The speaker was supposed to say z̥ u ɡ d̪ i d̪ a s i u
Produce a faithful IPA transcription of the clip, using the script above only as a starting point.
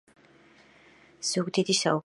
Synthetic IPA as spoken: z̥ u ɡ d̪ i d̪ i s a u